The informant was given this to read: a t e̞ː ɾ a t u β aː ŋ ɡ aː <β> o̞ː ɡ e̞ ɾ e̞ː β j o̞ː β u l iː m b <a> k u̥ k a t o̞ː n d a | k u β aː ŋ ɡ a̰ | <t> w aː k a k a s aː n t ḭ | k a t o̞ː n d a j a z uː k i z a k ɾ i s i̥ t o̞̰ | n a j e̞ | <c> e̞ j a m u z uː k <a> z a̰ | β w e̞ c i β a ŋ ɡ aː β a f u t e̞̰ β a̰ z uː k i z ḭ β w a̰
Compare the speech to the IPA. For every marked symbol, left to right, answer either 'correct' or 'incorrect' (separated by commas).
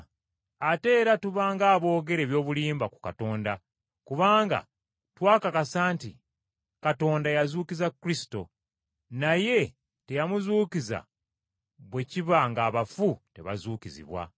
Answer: correct, correct, correct, incorrect, incorrect